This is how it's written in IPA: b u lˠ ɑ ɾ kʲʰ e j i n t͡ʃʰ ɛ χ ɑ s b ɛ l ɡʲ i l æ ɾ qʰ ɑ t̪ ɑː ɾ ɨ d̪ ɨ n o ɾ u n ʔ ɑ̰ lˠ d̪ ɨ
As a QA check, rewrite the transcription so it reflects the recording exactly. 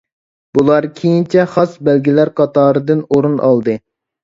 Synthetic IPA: b u lˠ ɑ ɾ kʲʰ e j i n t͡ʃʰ ɛ χ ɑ s b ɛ l ɡʲ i l æ ɾ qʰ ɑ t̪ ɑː ɾ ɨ d̪ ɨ n o ɾ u n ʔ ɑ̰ lˠ d̪ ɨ